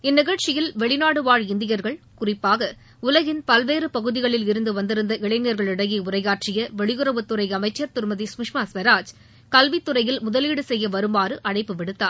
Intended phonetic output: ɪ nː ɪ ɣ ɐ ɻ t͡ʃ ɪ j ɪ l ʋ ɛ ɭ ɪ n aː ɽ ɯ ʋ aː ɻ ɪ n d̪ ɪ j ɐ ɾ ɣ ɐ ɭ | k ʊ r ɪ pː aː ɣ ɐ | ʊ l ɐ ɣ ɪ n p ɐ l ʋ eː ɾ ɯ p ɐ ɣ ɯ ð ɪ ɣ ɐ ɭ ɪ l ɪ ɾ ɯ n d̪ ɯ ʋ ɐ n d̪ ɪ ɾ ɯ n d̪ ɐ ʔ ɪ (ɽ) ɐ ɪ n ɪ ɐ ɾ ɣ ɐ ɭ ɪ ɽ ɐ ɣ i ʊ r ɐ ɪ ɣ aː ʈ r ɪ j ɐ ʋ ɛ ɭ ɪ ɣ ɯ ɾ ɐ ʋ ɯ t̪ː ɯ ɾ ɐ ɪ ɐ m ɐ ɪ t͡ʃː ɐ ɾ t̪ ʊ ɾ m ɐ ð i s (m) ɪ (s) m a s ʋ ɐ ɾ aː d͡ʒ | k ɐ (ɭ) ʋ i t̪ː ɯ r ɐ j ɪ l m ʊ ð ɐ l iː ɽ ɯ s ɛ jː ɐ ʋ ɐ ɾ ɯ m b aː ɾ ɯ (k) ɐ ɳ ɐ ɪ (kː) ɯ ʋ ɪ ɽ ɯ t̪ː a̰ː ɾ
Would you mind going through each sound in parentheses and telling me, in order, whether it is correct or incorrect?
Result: incorrect: ɭ, correct, incorrect: ʂ, incorrect: l, incorrect: ʔ, incorrect: pː

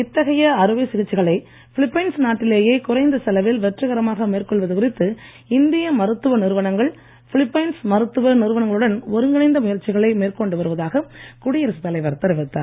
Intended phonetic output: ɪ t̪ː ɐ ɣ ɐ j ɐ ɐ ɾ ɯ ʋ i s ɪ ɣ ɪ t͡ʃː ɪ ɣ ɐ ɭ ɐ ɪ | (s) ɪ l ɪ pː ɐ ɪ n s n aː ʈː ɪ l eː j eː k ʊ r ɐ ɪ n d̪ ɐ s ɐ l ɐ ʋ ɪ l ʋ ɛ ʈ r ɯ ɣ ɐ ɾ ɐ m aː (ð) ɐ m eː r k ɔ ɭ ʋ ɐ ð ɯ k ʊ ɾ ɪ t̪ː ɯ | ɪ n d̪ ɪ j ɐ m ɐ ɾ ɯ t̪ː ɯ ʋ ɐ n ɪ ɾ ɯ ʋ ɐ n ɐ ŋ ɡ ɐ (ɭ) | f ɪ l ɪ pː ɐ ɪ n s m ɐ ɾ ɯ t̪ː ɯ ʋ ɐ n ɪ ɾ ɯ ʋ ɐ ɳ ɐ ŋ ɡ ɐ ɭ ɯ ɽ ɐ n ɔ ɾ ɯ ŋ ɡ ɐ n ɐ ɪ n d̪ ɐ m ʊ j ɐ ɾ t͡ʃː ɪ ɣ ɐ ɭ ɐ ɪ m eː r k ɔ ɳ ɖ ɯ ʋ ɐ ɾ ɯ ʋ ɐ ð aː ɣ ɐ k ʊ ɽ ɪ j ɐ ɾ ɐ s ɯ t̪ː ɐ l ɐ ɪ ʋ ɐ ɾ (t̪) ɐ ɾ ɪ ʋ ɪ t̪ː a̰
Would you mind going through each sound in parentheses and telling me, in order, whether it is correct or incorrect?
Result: incorrect: f, incorrect: ɣ, correct, correct

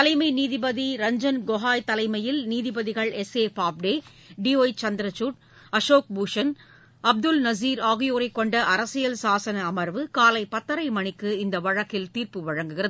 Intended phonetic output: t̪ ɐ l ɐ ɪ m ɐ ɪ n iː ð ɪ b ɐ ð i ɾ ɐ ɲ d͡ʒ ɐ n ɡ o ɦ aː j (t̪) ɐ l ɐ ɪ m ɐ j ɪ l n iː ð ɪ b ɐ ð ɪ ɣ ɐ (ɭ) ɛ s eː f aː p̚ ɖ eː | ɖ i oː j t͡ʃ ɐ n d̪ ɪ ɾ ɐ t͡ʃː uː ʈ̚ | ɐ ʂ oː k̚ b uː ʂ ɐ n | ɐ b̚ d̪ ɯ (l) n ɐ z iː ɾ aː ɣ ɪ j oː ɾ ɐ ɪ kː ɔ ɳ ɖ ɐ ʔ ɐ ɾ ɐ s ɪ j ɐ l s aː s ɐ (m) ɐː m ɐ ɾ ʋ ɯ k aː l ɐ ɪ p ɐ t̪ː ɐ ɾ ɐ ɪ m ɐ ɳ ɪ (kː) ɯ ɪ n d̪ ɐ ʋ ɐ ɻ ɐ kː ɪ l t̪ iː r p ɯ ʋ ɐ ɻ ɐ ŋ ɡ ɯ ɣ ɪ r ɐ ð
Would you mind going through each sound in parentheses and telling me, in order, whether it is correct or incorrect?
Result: correct, correct, correct, incorrect: n, correct

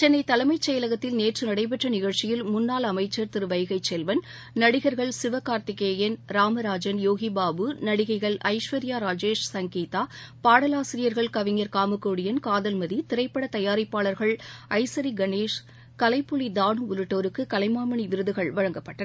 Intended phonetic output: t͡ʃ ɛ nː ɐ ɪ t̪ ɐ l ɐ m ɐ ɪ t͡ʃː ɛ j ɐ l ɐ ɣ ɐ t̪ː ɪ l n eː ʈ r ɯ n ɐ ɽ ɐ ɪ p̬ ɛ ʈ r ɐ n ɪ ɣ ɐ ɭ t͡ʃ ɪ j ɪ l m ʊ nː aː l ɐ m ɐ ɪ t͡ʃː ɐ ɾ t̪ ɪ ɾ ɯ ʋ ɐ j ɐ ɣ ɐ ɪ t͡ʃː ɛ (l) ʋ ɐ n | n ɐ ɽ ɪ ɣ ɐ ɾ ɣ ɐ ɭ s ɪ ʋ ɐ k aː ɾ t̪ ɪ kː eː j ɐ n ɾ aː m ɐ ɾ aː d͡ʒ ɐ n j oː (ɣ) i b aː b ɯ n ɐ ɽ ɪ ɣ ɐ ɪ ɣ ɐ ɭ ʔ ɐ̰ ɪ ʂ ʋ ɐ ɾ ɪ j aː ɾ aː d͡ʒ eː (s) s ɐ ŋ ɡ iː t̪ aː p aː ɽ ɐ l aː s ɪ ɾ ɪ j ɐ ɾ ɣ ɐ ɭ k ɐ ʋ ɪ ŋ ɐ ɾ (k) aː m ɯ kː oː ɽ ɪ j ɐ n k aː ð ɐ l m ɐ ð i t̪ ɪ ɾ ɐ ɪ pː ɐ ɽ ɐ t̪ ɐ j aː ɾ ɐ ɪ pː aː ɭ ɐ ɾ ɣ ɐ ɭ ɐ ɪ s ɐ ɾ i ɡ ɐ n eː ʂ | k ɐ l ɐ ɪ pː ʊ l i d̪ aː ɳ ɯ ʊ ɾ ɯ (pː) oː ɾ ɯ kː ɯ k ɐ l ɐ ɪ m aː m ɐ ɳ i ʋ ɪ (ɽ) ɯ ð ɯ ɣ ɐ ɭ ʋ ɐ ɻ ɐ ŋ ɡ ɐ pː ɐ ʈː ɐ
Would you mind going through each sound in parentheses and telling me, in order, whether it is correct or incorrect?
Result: correct, correct, incorrect: ʂ, correct, incorrect: ʈː, incorrect: ɾ

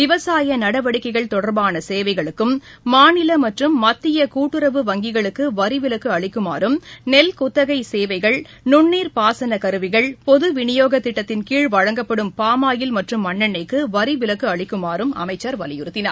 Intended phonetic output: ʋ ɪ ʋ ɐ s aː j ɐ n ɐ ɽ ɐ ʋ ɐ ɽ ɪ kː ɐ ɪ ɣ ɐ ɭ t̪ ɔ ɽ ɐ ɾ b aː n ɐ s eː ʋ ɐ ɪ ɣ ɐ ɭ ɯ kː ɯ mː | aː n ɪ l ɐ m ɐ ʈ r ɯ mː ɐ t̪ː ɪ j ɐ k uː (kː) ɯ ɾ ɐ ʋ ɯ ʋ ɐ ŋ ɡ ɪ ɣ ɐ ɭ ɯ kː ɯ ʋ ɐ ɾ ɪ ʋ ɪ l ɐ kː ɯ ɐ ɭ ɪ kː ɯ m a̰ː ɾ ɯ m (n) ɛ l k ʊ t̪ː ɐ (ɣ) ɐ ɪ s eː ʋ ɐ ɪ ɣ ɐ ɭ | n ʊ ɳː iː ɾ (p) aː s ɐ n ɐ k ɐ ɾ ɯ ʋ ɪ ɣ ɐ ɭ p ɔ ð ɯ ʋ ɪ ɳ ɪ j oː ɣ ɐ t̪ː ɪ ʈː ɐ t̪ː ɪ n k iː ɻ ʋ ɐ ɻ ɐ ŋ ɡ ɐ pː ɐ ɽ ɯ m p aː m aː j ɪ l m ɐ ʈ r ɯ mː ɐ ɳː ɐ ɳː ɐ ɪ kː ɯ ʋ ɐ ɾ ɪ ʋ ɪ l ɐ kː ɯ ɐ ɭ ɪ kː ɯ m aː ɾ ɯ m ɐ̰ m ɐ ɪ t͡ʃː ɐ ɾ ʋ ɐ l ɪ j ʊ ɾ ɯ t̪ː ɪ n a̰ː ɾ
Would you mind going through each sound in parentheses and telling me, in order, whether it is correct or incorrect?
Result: incorrect: ʈː, correct, correct, correct

